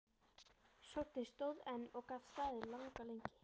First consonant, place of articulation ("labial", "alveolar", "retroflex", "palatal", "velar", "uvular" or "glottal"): alveolar